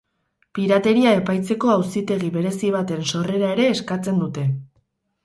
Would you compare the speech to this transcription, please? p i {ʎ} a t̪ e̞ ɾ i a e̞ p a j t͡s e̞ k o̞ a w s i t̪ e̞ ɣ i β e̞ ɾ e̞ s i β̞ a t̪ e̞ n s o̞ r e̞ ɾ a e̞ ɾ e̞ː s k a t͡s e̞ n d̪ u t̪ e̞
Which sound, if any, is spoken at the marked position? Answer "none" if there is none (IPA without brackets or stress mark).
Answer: ɾ